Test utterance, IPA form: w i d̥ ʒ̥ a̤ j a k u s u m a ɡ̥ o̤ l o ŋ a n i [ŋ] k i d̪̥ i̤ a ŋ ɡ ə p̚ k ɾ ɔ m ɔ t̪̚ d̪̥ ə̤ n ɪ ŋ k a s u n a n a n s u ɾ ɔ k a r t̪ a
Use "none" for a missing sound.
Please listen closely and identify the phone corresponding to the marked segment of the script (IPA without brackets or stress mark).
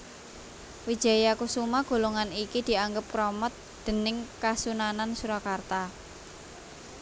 none